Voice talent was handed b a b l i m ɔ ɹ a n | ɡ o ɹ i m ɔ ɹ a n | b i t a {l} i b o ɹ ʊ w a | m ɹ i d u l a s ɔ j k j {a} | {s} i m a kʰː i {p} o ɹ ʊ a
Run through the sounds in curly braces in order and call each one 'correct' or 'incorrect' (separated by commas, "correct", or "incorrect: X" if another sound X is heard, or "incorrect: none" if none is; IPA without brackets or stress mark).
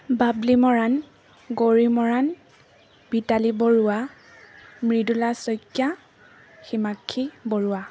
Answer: correct, correct, incorrect: x, incorrect: b